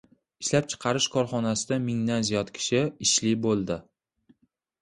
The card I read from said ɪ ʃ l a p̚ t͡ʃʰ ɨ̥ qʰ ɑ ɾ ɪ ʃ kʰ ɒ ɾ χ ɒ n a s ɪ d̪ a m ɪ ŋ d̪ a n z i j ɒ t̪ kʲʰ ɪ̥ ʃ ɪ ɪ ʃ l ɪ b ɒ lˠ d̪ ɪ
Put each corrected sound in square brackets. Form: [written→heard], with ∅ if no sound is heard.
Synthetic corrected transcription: ɪ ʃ l a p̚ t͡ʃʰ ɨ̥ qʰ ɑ ɾ ɪ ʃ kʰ ɒ ɾ χ ɒ n a s ɪ d̪ a m ɪ ŋ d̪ a n z i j ɒ t̪ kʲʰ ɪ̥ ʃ ɪ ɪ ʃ l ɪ b [ɒ→o] lˠ d̪ ɪ